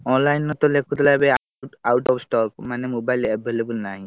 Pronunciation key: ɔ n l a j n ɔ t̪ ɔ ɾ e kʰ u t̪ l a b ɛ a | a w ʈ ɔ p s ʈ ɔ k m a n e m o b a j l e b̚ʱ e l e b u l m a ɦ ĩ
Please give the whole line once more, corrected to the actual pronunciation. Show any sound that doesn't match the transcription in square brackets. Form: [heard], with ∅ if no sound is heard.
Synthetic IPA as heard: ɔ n l a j n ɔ t̪ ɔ [l] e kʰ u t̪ l a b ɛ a | a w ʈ ɔ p s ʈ ɔ k m a n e m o b a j l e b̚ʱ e l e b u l [n] a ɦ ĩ

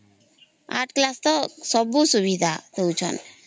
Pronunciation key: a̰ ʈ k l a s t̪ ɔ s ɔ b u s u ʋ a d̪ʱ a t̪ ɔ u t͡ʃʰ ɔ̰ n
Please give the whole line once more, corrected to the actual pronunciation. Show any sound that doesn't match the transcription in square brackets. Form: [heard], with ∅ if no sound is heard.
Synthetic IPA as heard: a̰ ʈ k l a s t̪ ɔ s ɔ b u s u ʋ [i] d̪ʱ a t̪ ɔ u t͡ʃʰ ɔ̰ n

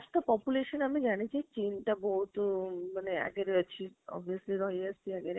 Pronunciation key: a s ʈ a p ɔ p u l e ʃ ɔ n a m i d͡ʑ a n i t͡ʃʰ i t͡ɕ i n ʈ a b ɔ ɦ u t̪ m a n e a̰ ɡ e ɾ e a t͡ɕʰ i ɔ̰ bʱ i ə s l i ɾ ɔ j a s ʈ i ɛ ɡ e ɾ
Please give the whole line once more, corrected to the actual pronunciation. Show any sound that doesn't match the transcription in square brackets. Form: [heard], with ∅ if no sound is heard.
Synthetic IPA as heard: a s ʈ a p ɔ p u l e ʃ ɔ n a m i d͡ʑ a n i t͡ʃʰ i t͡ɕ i n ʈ a b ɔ ɦ u t̪ m a n e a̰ ɡ e ɾ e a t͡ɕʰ i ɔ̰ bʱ i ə s l i ɾ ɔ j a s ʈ i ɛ ɡ e ɾ

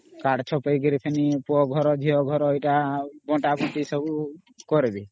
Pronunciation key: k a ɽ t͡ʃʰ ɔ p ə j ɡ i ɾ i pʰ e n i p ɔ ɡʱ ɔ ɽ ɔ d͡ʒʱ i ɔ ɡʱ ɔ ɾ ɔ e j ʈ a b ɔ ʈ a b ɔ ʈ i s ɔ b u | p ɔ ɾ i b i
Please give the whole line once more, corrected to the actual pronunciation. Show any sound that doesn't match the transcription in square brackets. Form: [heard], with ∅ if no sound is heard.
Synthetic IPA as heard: k a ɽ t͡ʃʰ ɔ p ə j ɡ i ɾ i pʰ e n i p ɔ ɡʱ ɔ [ɾ] ɔ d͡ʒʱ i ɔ ɡʱ ɔ ɾ ɔ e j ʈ a b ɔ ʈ a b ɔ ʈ i s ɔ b u | [k] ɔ ɾ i b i

